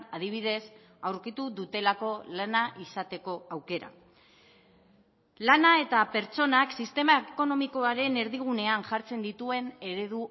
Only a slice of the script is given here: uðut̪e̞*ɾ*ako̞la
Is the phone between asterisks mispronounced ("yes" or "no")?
yes